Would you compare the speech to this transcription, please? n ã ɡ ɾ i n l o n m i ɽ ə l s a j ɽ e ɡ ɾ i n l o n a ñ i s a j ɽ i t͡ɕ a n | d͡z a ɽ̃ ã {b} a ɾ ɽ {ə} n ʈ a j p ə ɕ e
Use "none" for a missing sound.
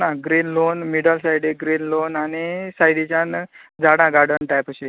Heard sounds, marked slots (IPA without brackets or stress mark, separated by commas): ɡ, ə